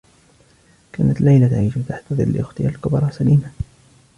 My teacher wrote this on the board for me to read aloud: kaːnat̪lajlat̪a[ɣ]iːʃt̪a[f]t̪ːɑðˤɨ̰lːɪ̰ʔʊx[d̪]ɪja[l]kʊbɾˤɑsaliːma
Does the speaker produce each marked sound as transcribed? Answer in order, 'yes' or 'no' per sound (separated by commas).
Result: no, no, no, yes